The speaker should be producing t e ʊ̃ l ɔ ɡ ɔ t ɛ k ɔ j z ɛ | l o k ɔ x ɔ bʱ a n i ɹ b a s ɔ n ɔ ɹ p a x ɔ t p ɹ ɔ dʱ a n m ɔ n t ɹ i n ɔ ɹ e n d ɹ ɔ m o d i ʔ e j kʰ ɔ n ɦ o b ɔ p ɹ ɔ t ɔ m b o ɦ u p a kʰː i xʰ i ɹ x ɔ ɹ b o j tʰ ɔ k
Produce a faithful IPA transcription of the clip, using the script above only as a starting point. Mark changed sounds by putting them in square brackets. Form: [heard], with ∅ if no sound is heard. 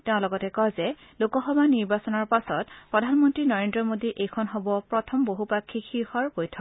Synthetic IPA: t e ʊ̃ l ɔ ɡ ɔ t ɛ k ɔ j z ɛ | l o k ɔ x ɔ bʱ a n i ɹ b a s ɔ n ɔ ɹ p a [s] ɔ t p ɹ ɔ dʱ a n m ɔ n t ɹ i n ɔ ɹ e n d ɹ ɔ m o d i ʔ e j kʰ ɔ n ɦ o b ɔ p ɹ ɔ [tʰ] ɔ m b o ɦ u p a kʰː i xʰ i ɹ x ɔ ɹ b o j tʰ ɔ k